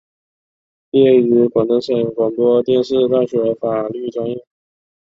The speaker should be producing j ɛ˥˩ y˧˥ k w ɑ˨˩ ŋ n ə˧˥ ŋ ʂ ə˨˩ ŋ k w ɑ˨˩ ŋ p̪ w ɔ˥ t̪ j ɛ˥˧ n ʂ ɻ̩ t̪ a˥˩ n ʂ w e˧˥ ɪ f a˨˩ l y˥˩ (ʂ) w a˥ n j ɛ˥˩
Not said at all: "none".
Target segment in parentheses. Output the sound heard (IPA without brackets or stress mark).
ʈ͡ʂ